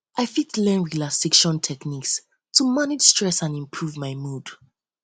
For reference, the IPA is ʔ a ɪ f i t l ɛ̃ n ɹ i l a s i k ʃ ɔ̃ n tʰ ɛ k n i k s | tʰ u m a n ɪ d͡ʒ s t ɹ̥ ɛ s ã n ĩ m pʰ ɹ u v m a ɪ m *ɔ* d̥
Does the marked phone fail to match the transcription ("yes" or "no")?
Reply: yes